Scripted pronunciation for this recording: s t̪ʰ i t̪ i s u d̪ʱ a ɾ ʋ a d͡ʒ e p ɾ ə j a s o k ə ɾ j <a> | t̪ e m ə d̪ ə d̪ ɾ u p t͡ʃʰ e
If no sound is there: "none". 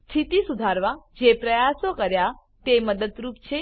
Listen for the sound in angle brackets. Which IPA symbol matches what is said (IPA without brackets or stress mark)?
a